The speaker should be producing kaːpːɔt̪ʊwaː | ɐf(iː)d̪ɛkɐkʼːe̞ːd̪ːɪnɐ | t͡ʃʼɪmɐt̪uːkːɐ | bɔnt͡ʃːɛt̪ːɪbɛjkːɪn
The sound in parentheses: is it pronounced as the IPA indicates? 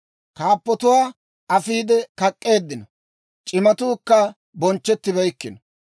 yes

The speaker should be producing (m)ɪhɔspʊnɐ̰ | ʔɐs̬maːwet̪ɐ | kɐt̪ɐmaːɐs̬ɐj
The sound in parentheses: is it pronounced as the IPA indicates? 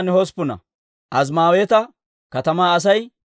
no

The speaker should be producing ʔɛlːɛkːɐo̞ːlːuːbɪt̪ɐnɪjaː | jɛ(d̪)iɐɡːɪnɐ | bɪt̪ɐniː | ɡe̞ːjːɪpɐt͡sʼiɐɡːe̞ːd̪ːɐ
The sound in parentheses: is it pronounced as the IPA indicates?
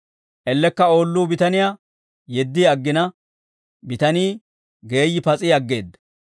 no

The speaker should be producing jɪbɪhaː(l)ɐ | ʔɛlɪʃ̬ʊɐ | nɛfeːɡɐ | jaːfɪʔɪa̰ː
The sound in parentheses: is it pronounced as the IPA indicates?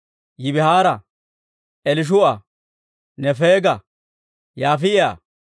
no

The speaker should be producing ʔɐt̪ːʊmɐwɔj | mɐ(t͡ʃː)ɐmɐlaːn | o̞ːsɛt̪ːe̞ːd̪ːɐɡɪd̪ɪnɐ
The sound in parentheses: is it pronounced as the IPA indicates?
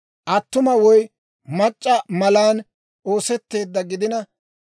no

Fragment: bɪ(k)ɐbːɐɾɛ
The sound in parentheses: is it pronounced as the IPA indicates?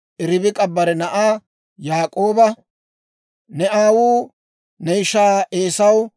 no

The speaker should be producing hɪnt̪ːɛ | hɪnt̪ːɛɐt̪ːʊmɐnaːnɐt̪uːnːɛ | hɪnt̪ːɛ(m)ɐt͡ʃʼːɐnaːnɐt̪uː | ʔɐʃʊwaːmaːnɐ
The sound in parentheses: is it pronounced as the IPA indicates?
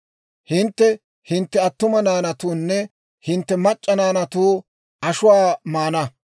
yes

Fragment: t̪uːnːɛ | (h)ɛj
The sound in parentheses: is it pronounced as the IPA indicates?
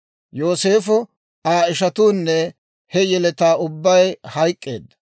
yes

